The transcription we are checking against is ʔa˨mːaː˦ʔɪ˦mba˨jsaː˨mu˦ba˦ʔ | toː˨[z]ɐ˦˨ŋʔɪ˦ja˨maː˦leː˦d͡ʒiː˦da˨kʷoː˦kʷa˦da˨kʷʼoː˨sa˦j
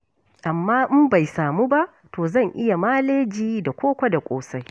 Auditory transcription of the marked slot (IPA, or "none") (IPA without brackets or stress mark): z